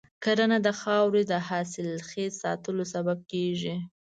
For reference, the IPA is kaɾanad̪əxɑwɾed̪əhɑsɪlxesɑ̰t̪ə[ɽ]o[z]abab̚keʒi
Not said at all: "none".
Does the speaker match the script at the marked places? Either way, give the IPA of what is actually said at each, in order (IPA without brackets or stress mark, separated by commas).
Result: l, s